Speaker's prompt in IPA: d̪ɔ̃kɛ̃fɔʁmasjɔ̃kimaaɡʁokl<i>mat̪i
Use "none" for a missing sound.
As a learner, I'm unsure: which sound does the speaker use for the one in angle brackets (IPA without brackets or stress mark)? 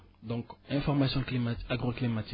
i